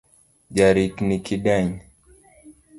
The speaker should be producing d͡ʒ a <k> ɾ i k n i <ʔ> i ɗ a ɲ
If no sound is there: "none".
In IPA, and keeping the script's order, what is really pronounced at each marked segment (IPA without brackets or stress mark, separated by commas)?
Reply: none, k